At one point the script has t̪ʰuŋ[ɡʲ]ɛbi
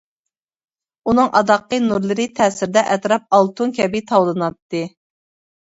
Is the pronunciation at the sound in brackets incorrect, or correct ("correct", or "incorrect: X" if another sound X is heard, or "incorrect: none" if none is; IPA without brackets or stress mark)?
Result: incorrect: kʲ